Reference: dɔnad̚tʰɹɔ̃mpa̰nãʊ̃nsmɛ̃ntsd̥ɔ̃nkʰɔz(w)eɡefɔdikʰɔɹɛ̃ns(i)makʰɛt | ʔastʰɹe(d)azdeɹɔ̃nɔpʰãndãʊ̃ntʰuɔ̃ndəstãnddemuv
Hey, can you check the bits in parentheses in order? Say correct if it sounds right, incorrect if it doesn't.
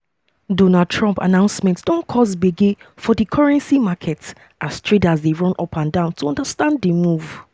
incorrect, correct, correct

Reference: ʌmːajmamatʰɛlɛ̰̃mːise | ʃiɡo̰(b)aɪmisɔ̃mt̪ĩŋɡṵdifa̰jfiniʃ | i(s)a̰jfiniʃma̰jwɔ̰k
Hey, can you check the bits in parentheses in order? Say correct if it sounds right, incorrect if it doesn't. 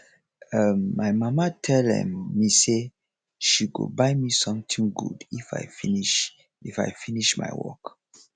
correct, incorrect

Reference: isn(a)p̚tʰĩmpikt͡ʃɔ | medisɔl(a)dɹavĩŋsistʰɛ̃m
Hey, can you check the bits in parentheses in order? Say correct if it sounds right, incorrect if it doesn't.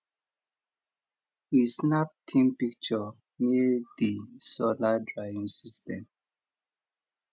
correct, correct

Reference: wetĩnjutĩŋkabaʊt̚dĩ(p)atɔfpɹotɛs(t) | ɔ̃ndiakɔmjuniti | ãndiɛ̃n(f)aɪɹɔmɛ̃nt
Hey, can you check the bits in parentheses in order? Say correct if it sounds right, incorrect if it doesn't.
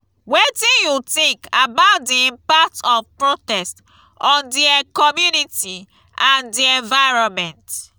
correct, correct, incorrect

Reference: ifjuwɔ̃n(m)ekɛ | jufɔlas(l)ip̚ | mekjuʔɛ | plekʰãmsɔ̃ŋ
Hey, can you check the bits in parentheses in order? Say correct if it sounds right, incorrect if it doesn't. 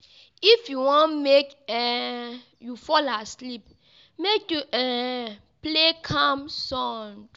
correct, correct

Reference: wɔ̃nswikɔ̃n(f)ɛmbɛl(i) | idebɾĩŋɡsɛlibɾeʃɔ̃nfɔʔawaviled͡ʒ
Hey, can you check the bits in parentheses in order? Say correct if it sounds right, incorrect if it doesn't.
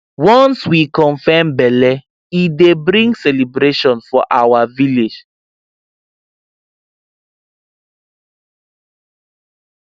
correct, incorrect

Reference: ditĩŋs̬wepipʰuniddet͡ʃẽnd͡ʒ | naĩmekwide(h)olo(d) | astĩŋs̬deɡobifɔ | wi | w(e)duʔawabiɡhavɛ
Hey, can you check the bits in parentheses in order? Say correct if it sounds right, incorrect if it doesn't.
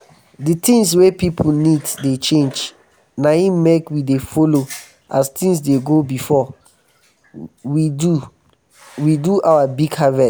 incorrect, incorrect, incorrect

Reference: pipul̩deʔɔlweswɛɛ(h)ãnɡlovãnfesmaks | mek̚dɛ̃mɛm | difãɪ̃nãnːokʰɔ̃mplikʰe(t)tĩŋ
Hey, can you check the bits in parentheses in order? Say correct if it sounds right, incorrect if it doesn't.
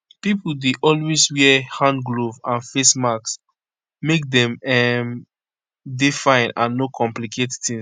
correct, correct

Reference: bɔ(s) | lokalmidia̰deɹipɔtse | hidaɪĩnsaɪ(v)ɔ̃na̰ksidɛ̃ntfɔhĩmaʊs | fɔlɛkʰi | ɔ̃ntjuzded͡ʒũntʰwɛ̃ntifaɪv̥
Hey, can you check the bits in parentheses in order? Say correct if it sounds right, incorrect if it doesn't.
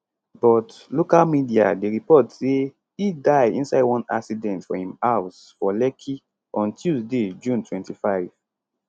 incorrect, incorrect

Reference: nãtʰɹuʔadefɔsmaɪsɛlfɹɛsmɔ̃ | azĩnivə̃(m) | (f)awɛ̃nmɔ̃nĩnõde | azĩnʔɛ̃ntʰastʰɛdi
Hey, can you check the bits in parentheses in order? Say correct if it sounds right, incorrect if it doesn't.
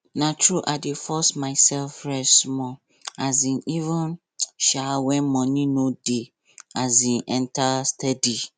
incorrect, incorrect

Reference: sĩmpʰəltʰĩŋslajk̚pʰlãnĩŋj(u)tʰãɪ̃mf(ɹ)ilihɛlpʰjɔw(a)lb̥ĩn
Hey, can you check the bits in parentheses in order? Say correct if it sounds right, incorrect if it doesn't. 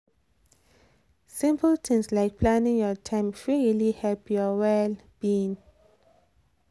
incorrect, correct, incorrect

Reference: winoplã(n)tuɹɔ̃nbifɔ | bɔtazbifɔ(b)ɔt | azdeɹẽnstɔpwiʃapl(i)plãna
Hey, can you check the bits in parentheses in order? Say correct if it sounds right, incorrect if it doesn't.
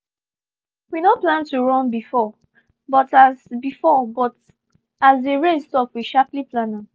correct, correct, correct

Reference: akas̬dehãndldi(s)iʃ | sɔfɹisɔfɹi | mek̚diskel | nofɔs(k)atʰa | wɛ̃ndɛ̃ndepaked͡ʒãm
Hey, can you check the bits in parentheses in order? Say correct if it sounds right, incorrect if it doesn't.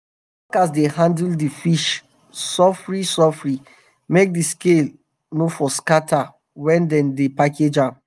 incorrect, correct

